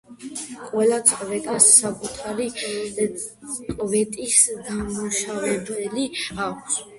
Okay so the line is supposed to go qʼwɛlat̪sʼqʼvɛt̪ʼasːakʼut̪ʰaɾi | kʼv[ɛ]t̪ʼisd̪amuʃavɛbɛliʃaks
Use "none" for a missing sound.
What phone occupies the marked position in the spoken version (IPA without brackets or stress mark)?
ɛ